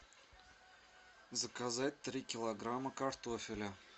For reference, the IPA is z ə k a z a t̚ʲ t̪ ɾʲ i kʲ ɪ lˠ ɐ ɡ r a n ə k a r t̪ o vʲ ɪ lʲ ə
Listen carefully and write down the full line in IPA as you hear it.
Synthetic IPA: z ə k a z a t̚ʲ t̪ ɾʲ i kʲ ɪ lˠ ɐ ɡ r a m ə k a r t̪ o fʲ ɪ lʲ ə